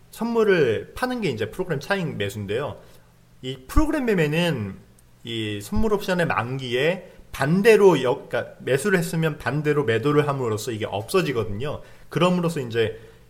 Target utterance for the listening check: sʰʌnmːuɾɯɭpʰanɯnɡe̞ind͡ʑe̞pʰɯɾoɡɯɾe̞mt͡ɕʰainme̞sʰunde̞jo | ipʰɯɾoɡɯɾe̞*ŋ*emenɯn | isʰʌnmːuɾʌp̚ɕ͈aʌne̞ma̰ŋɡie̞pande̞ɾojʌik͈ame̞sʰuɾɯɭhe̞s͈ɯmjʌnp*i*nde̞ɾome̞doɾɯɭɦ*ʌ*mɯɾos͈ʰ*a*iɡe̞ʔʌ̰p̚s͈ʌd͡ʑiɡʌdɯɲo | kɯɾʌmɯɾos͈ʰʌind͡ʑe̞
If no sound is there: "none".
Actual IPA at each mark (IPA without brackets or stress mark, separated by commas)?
m, a, a, ʌ